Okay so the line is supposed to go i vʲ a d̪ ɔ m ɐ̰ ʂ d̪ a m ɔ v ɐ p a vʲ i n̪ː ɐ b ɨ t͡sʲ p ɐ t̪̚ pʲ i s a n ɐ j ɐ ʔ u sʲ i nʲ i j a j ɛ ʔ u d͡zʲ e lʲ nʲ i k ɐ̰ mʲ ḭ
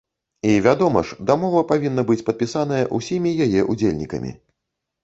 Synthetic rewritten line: i vʲ a d̪ ɔ m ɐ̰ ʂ d̪ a m ɔ v ɐ p a vʲ i n̪ː ɐ b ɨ t͡sʲ p ɐ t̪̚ pʲ i s a n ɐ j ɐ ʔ u sʲ i mʲ i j a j ɛ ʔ u d͡zʲ e lʲ nʲ i k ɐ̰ mʲ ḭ